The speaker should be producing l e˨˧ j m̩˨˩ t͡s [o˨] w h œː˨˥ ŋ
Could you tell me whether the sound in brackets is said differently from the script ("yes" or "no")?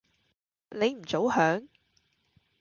yes